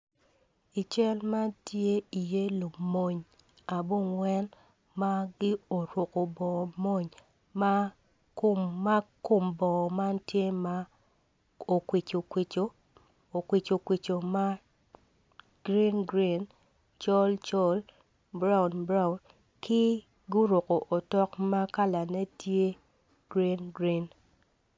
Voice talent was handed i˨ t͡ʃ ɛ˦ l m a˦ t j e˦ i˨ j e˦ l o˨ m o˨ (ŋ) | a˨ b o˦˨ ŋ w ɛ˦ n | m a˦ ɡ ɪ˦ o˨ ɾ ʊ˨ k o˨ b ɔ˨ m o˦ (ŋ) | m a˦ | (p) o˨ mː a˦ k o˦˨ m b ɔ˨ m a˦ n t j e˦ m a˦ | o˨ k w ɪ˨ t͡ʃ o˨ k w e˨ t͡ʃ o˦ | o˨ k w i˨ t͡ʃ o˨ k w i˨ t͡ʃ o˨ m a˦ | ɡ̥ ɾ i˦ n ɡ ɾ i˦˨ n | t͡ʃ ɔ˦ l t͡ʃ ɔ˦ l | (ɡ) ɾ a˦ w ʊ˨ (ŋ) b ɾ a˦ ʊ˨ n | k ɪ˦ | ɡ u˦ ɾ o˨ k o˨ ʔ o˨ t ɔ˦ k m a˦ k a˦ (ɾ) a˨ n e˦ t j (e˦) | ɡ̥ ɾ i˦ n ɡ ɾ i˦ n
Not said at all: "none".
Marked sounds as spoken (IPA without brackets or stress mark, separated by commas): ɲ, ɲ, k, b, n, l, e˦